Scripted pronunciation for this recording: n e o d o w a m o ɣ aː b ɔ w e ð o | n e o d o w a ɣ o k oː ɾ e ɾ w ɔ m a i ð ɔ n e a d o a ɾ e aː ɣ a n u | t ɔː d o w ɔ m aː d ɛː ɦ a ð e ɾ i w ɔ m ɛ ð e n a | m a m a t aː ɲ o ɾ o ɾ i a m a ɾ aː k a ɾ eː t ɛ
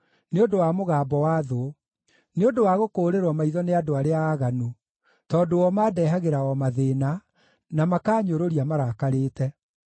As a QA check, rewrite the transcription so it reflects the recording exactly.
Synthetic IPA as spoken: n e o d o w a m o ɣ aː b ɔ w a ð o | n e o d o w a ɣ o k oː ɾ e ɾ w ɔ m a i ð ɔ n e a d o a ɾ e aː ɣ a n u | t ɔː d o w ɔ m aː d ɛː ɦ a ɣ e ɾ a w ɔ m a ð e n a | n a m a k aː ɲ o ɾ o ɾ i a m a ɾ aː k a ɾ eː t ɛ